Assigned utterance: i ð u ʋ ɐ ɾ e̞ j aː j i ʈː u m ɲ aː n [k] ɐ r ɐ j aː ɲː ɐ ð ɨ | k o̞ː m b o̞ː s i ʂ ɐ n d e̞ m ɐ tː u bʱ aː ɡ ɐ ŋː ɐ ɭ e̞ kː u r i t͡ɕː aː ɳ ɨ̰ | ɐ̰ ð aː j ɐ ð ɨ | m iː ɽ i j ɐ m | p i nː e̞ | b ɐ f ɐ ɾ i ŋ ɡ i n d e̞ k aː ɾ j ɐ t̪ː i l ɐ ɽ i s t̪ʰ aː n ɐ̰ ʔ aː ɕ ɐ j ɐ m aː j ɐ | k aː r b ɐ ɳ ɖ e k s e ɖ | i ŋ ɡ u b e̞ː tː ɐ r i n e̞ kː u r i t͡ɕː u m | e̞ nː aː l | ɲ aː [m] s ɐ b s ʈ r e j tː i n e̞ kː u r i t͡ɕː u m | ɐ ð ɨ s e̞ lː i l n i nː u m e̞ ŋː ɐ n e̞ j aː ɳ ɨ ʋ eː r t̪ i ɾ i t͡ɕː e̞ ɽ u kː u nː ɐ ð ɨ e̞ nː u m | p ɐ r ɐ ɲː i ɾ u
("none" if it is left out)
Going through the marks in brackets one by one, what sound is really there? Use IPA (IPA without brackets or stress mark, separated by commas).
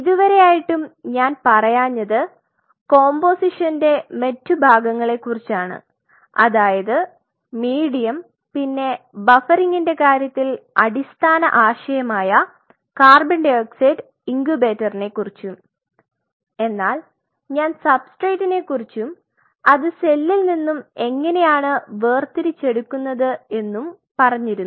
p, n